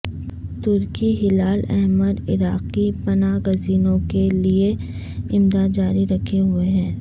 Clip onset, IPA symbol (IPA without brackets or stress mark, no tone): t̪